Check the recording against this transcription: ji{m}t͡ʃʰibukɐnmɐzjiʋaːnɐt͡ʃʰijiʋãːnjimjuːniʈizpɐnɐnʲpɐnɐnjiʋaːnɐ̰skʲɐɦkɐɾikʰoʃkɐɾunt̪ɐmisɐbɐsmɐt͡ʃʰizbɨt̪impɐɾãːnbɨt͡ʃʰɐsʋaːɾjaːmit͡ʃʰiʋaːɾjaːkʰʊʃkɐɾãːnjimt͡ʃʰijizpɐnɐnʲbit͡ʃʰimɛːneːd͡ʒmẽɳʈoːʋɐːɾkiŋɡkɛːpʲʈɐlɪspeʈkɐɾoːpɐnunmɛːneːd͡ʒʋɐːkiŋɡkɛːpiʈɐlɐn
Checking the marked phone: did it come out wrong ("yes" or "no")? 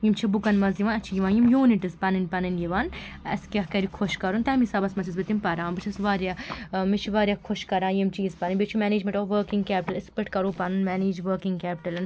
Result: no